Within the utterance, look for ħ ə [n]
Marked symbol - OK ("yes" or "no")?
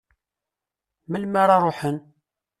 yes